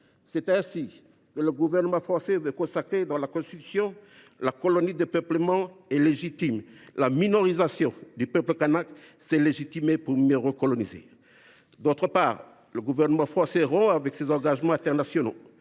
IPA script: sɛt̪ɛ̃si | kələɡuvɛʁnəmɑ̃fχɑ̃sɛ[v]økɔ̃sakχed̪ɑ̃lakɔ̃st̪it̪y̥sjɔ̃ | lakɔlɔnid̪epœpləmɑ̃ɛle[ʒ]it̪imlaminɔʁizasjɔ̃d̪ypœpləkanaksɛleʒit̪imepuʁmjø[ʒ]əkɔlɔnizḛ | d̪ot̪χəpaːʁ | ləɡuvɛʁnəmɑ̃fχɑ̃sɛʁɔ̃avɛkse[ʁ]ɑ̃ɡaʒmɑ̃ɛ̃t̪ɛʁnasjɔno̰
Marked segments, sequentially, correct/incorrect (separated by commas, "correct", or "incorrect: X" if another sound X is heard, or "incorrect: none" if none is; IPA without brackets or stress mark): correct, correct, incorrect: ʁ, incorrect: z